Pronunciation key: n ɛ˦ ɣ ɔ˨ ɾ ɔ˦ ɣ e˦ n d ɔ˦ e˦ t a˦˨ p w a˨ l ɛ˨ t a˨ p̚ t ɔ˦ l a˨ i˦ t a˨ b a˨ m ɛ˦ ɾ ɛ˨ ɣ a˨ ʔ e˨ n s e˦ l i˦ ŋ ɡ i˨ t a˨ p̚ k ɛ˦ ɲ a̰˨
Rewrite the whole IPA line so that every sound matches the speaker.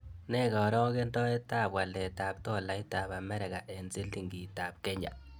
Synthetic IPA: n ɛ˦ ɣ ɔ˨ ɾ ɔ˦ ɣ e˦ n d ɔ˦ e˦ t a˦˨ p w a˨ l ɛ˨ t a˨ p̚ t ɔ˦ l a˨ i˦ t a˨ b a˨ m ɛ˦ ɾ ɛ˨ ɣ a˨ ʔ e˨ n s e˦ l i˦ ŋ ɡ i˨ t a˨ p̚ k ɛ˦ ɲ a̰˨